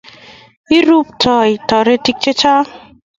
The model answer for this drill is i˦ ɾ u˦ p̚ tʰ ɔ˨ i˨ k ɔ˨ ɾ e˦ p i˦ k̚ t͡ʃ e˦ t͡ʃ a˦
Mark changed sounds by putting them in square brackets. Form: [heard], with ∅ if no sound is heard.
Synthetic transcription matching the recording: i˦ ɾ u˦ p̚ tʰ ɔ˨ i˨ [t] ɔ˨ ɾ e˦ [t] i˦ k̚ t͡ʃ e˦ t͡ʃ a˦